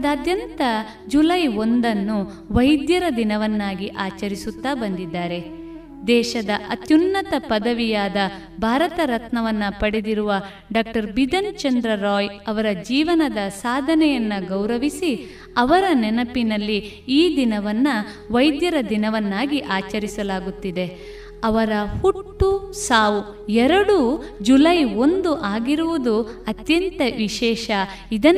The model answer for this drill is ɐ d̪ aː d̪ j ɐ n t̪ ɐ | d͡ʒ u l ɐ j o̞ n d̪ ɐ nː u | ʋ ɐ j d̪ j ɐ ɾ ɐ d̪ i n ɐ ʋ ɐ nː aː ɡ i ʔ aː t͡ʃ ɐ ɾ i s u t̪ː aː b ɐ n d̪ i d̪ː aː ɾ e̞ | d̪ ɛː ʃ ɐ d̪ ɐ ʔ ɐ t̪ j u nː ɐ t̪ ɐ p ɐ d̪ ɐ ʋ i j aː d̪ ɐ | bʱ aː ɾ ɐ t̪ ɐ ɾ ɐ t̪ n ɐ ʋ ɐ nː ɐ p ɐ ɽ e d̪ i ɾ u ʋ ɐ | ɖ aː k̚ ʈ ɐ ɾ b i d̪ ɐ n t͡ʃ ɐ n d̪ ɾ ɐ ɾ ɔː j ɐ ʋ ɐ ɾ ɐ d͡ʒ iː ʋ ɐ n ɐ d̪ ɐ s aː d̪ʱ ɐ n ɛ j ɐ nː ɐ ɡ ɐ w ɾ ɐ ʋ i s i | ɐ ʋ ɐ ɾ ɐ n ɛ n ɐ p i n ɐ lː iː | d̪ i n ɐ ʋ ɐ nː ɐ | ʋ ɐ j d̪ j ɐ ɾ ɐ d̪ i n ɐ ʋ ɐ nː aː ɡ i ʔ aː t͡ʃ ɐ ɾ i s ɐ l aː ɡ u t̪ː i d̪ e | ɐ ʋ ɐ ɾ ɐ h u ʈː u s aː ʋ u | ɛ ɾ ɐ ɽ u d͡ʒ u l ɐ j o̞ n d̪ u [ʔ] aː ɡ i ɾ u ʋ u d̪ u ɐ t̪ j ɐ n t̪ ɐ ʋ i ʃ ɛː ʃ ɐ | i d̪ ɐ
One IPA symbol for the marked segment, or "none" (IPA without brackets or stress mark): ʔ